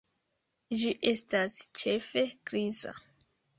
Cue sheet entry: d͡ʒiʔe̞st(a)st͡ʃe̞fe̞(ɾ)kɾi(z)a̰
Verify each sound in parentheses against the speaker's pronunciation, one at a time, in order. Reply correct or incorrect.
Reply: correct, incorrect: none, correct

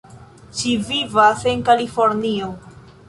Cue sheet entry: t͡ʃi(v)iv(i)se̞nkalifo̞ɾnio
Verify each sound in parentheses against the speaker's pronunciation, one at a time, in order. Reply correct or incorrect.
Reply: correct, incorrect: a

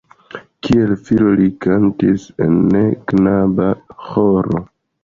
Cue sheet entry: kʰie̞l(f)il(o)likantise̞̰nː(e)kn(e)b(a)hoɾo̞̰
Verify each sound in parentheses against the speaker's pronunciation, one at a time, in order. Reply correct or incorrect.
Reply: correct, correct, correct, incorrect: a, correct

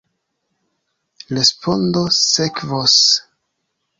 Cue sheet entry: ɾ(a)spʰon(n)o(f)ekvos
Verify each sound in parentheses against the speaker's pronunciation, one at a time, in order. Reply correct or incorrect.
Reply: incorrect: e, incorrect: d, incorrect: s

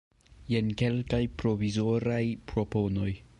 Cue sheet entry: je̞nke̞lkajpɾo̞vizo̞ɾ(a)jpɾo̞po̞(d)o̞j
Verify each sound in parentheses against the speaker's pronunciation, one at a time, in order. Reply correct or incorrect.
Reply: correct, incorrect: n

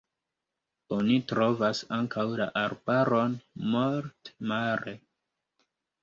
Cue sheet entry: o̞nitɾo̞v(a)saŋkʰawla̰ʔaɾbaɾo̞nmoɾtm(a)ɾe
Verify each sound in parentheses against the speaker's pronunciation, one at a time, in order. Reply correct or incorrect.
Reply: correct, correct

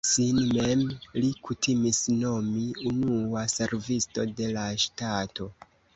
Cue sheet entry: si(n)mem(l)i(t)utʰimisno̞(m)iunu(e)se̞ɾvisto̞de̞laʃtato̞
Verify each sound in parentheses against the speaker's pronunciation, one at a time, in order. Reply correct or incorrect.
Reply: correct, correct, incorrect: k, correct, incorrect: a

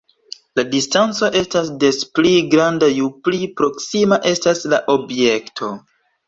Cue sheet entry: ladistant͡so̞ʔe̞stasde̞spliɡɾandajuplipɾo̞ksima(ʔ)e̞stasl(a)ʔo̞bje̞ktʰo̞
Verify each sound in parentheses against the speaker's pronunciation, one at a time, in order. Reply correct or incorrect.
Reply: correct, correct

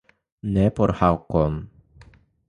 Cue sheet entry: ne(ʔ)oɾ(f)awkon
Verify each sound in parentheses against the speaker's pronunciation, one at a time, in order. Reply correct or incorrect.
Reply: incorrect: p, incorrect: h

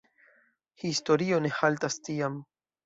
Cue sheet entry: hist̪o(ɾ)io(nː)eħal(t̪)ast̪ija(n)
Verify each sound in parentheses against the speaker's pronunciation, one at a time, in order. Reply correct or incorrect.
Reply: correct, incorrect: n, correct, incorrect: m

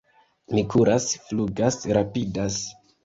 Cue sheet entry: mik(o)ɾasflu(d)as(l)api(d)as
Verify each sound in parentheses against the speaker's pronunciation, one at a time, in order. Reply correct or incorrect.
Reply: incorrect: u, incorrect: ɡ, incorrect: ɾ, correct

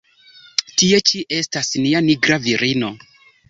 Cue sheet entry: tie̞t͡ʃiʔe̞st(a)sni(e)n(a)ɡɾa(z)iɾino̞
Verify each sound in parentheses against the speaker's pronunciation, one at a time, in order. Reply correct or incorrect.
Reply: correct, incorrect: a, incorrect: i, incorrect: v

